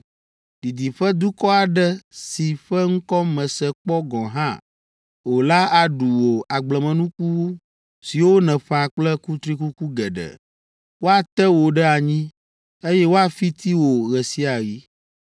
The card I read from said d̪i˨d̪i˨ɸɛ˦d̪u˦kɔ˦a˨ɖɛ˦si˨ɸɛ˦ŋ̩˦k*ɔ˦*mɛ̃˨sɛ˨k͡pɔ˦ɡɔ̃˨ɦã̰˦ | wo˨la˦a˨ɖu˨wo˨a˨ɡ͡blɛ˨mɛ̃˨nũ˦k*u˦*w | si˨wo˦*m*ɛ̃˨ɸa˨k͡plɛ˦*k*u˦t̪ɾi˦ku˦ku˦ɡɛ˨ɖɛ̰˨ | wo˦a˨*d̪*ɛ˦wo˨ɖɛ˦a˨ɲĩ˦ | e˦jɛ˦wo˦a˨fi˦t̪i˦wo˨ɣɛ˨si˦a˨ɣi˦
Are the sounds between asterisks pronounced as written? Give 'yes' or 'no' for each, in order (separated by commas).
yes, yes, no, yes, no